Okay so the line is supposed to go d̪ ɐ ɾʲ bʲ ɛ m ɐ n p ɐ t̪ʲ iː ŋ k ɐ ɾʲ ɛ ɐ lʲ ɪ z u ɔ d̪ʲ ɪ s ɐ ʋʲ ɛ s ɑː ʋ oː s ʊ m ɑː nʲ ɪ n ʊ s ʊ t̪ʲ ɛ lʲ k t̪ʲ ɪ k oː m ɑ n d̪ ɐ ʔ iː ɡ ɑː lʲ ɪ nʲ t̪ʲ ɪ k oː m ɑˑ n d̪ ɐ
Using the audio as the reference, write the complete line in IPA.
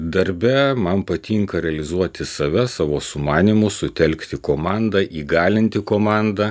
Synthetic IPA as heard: d̪ ɐ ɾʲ bʲ ɛ m ɐ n p ɐ t̪ʲ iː ŋ k ɐ ɾʲ ɛ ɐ lʲ ɪ z u ɔ t̪ʲ ɪ s ɐ ʋʲ ɛ s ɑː ʋ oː s ʊ m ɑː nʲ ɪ m ʊ s ʊ t̪ʲ ɛ lʲ k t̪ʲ ɪ k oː m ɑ n d̪ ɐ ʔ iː ɡ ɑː lʲ ɪ nʲ t̪ʲ ɪ k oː m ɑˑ n d̪ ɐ